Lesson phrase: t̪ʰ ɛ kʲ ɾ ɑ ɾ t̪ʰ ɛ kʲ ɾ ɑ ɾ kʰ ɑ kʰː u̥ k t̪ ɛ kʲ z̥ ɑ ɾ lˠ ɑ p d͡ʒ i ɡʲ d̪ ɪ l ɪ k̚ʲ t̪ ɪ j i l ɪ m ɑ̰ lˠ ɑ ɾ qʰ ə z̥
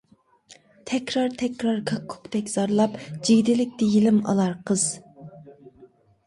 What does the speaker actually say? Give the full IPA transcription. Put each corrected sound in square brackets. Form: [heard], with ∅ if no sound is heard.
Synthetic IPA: t̪ʰ ɛ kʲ ɾ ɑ ɾ t̪ʰ ɛ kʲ ɾ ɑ ɾ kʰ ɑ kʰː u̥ k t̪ ɛ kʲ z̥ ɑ ɾ lˠ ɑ p d͡ʒ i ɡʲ d̪ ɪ l ɪ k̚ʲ t̪ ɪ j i l ɪ m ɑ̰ lˠ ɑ ɾ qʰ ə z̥